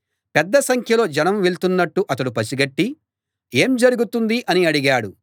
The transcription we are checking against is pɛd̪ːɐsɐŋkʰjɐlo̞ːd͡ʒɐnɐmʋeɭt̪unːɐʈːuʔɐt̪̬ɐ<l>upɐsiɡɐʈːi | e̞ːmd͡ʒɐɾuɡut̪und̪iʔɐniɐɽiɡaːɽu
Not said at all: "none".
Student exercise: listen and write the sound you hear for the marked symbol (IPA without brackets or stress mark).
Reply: ɽ